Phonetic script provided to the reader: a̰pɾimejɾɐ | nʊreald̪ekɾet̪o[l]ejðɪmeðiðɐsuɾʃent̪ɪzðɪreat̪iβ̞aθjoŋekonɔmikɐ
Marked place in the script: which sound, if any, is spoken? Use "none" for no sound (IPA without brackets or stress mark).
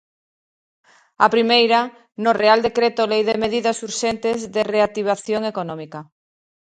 l